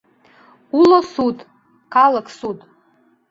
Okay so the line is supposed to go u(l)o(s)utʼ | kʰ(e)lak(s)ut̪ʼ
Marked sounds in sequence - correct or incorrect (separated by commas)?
correct, correct, incorrect, correct